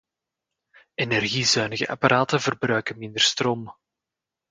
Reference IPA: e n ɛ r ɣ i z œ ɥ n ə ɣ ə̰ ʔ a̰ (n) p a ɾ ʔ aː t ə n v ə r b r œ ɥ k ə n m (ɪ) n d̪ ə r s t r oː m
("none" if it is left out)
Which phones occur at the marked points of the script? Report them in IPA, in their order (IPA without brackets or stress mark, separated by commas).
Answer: none, ɪ